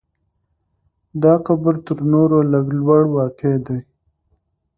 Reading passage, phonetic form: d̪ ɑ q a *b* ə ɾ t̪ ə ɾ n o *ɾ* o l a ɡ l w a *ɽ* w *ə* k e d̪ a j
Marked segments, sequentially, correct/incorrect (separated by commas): correct, correct, correct, incorrect